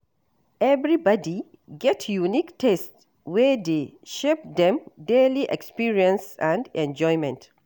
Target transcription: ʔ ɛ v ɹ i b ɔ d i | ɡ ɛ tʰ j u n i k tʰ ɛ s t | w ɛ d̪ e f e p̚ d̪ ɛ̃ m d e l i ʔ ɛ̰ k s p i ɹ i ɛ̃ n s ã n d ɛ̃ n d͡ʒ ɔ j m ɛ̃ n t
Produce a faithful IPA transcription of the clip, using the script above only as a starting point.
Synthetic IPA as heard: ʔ ɛ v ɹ i b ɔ d i | ɡ ɛ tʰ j u n i k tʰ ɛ s t | w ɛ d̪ e ʃ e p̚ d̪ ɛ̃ m d e l i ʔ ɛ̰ k s p i ɹ i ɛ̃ n s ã n d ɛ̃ n d͡ʒ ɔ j m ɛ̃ n t